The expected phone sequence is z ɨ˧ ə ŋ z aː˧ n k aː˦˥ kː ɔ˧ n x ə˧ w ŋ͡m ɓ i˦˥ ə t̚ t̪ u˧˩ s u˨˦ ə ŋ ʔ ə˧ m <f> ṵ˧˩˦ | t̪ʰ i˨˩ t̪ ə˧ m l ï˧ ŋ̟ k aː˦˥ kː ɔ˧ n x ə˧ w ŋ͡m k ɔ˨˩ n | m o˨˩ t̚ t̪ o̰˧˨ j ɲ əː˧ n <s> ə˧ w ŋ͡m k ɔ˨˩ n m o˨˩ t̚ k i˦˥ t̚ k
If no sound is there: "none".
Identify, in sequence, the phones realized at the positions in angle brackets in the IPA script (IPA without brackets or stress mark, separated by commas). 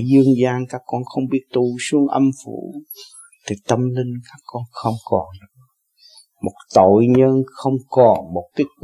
f, x